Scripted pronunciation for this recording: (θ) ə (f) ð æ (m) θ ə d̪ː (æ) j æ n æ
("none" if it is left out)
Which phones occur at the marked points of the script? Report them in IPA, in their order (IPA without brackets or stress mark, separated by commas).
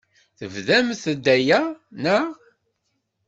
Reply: θ, v, m, æ